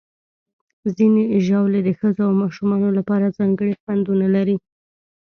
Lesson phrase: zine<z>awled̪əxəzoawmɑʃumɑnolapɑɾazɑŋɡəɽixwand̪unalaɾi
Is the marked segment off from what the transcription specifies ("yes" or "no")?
yes